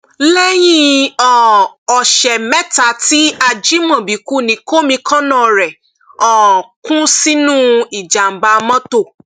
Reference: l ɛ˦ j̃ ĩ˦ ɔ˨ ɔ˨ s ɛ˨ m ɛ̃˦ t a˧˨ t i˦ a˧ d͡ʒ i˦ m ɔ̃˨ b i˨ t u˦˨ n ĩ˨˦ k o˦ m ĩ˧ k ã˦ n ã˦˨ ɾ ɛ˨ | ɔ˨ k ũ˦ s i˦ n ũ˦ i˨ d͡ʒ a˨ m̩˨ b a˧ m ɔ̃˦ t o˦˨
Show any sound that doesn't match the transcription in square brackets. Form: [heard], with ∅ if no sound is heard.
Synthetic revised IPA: l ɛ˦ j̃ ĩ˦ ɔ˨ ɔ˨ [ʃ] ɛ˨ m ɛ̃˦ t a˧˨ t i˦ a˧ d͡ʒ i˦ m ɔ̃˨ b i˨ [k] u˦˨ n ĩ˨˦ k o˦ m ĩ˧ k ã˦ n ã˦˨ ɾ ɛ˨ | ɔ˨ k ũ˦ s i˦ n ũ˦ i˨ d͡ʒ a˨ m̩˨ b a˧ m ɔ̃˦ t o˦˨